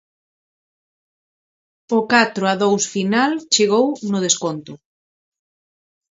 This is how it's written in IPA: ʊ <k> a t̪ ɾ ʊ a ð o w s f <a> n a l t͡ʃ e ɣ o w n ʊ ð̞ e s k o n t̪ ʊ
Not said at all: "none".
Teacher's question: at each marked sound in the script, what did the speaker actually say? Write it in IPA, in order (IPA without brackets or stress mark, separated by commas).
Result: k, i